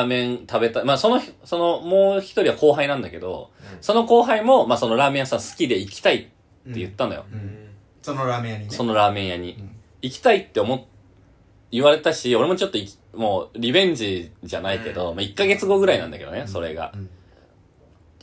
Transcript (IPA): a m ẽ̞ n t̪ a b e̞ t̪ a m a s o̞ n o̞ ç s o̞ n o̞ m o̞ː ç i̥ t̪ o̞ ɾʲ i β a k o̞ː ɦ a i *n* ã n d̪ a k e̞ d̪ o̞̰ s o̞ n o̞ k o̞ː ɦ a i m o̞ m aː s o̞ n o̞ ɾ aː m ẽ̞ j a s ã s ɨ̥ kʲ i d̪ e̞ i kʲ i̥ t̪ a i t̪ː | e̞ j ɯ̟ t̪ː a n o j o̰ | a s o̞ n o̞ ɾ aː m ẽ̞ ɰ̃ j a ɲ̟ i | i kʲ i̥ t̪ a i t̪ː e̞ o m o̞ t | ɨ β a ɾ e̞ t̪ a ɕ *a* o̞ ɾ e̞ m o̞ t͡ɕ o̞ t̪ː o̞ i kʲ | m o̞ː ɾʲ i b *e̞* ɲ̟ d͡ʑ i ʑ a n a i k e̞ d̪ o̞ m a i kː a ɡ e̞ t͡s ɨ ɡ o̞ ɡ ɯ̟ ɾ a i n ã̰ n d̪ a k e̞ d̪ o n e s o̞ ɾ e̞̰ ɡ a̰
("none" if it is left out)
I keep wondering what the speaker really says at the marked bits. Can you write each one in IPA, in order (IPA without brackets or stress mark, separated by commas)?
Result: n, i, ẽ̞